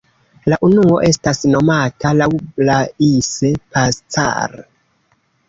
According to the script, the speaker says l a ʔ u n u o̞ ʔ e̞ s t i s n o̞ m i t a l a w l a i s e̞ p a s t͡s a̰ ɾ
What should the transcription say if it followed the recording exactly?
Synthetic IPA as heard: l a ʔ u n u o̞ ʔ e̞ s t a s n o̞ m a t a l a w l a i s e̞ p a s t͡s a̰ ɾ